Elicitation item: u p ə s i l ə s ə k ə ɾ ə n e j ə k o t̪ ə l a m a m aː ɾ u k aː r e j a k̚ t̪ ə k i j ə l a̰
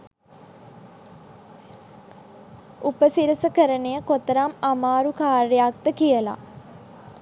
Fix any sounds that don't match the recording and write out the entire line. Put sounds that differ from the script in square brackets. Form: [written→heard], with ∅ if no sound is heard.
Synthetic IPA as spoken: u p ə s i [l→ɾ] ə s ə k ə ɾ ə n e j ə k o t̪ ə [l→ɾ] a m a m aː ɾ u k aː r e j a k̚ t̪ ə k i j ə l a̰